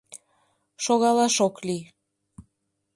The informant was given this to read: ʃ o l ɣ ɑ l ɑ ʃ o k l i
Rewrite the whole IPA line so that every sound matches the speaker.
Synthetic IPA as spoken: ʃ o ɣ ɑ l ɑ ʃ o k l i